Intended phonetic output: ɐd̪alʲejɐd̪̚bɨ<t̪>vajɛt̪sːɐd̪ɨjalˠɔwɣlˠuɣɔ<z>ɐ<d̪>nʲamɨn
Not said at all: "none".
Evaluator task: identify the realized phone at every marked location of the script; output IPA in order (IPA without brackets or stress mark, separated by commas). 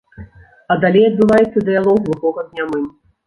none, ɣ, d̪